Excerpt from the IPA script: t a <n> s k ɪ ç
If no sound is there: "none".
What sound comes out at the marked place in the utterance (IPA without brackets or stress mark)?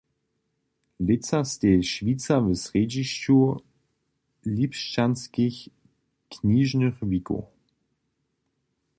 n